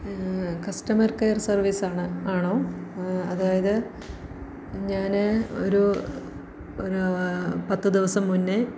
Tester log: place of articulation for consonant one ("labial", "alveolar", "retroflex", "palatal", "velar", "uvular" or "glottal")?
velar